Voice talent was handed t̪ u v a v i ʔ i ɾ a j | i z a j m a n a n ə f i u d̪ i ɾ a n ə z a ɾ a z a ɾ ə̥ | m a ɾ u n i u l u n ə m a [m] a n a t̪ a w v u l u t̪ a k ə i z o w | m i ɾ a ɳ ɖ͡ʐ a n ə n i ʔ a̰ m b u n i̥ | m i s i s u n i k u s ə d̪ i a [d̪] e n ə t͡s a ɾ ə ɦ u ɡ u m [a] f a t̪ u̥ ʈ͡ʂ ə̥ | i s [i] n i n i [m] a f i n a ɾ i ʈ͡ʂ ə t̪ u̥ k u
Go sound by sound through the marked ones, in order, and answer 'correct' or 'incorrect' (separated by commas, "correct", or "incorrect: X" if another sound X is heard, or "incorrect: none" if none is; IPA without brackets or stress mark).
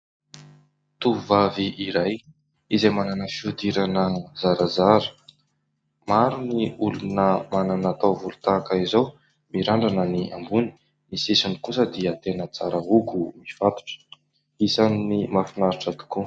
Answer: incorrect: n, incorrect: t̪, incorrect: i, incorrect: a, correct